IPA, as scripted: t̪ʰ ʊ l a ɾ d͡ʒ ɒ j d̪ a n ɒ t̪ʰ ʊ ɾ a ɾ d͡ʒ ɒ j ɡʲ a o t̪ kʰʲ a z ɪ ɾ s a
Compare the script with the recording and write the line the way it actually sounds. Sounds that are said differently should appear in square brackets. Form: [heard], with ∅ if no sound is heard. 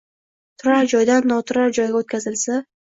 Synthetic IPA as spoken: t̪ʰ ʊ [ɾ] a ɾ d͡ʒ ɒ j d̪ a [nː] ɒ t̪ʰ ʊ ɾ a ɾ d͡ʒ ɒ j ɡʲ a o t̪ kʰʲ a z ɪ [l] s a